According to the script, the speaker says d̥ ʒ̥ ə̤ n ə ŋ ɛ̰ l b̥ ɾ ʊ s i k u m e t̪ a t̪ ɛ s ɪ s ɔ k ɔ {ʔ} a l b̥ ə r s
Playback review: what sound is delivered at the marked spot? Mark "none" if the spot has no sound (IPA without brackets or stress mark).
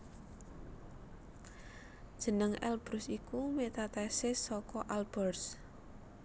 ʔ